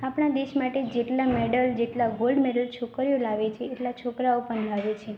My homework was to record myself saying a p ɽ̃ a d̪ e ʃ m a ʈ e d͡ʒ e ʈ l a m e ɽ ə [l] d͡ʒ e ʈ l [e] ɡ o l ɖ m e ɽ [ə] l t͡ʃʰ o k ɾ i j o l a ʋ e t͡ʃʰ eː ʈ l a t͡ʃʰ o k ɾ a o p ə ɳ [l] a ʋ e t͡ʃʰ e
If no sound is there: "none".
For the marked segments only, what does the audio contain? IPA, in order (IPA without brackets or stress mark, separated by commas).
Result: l, a, ə, l